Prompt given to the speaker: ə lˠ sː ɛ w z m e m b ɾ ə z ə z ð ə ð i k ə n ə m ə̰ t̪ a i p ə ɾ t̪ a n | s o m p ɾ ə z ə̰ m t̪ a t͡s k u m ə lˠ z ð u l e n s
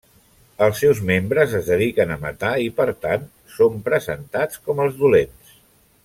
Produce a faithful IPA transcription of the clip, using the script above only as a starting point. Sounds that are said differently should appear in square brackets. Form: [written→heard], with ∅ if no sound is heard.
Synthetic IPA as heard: ə lˠ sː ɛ w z m e m b ɾ ə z ə z ð ə ð i k ə n ə m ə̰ t̪ a i p ə ɾ t̪ a n | s o m p ɾ ə z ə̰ [m→n] t̪ a t͡s k [u→ɔ] m ə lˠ z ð u l e n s